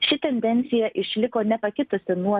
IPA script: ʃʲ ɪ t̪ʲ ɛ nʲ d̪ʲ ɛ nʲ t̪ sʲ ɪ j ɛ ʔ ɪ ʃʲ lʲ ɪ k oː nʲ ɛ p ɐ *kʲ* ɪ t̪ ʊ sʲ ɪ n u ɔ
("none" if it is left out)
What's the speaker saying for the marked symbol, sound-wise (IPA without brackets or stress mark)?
kʲ